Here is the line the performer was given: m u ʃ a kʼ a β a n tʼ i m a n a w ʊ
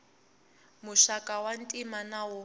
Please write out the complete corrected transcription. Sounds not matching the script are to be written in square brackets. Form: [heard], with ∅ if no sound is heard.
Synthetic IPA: m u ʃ a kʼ a [w] a n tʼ i m a n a w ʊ